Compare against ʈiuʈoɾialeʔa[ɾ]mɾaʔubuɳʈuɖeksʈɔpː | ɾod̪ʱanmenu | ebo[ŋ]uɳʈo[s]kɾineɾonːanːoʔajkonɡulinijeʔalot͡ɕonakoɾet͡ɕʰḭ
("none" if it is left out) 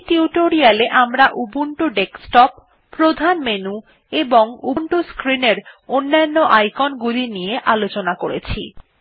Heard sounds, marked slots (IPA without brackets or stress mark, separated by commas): none, ŋ, s